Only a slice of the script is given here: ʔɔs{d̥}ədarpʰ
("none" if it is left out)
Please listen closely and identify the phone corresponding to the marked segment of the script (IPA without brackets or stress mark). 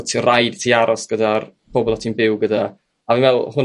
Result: ɡ̥